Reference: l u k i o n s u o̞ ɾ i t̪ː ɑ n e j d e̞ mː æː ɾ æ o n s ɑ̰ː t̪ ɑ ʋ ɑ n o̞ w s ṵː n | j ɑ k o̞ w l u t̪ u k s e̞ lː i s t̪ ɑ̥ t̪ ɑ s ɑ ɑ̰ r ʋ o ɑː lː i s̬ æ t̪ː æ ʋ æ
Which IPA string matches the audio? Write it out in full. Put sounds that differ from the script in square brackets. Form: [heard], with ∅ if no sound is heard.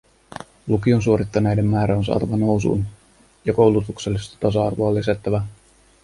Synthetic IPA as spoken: l u k i o n s u o̞ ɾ i t̪ː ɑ n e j d e̞ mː æː ɾ æ o n s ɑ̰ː t̪ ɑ ʋ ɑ n o̞ w s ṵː n | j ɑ k o̞ w l u t̪ u k s e̞ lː i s t̪ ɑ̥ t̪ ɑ s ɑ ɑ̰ r ʋ o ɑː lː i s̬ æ t̪ː æ ʋ æ